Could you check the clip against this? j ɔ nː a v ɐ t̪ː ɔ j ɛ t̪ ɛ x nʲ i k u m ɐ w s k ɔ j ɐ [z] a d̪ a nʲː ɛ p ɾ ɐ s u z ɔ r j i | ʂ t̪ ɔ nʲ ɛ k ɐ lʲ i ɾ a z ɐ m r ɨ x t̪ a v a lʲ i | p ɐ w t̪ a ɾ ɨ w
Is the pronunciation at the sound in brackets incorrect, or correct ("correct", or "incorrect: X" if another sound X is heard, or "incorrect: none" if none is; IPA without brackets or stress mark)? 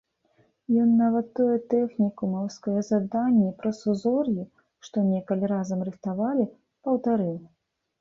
correct